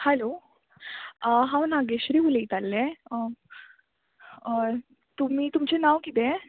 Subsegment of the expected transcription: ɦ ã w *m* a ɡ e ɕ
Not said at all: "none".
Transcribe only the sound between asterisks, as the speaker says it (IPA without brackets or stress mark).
n